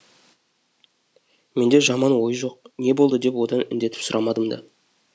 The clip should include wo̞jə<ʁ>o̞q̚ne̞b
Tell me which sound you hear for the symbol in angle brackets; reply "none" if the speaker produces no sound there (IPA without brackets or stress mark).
ʒ